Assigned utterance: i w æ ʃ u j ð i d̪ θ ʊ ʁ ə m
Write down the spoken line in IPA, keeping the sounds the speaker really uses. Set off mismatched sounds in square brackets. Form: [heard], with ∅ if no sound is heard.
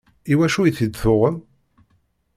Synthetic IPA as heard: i w æ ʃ u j [θ] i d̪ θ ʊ ʁ ə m

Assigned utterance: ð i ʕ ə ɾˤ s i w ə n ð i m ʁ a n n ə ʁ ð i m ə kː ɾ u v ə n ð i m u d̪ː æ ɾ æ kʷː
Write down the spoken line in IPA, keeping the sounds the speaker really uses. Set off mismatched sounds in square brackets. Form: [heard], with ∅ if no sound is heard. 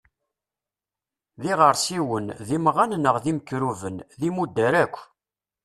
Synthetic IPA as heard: ð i [ʁ] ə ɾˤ s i w ə n ð i m ʁ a n n ə ʁ ð i m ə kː ɾ u v ə n ð i m u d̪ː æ ɾ æ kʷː

